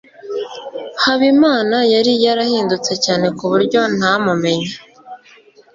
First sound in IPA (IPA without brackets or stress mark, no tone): h